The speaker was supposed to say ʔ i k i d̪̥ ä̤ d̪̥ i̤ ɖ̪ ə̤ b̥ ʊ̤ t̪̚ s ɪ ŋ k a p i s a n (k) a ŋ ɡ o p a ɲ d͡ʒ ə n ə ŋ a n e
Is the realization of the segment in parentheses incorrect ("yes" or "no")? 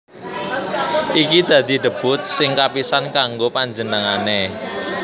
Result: no